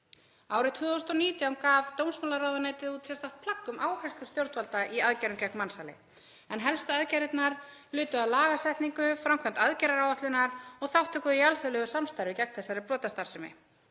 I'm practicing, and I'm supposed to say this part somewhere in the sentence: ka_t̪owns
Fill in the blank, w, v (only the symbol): v